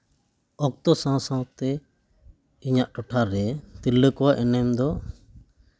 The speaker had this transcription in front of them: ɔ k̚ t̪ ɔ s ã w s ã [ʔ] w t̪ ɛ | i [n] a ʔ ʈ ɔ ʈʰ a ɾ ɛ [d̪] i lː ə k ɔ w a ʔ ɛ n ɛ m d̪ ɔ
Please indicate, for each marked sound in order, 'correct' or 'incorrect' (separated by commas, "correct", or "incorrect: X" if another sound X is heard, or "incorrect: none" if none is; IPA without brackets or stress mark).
incorrect: none, incorrect: ɲ, incorrect: t̪